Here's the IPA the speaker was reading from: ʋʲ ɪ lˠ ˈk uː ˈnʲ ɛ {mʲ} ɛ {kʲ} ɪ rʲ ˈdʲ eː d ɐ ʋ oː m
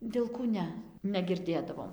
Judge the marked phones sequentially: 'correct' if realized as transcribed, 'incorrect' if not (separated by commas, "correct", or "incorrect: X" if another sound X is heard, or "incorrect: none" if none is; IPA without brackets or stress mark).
incorrect: nʲ, incorrect: ɡʲ